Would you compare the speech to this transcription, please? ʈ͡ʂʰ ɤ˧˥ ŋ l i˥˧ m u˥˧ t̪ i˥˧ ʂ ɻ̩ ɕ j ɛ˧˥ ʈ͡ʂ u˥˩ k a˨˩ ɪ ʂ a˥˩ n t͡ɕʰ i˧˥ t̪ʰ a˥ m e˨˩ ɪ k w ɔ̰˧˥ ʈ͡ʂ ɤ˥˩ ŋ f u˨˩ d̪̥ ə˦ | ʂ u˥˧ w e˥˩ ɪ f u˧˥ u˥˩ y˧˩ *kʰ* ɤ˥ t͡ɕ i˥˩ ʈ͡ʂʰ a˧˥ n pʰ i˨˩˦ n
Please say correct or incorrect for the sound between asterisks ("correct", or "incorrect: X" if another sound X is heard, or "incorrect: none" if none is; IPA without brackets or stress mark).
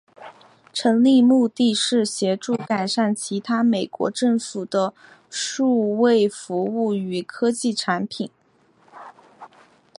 correct